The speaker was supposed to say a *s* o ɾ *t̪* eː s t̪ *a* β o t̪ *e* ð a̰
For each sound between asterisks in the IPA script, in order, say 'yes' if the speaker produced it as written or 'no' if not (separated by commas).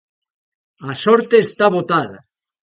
yes, yes, yes, no